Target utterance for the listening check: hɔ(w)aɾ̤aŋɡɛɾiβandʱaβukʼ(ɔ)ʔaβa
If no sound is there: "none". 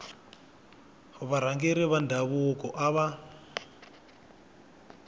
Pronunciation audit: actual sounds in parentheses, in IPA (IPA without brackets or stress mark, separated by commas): β, ɔ